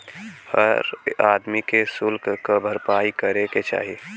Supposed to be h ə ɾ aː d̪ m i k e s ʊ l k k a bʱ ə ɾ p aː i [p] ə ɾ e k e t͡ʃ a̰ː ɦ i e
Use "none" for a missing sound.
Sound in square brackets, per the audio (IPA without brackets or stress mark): k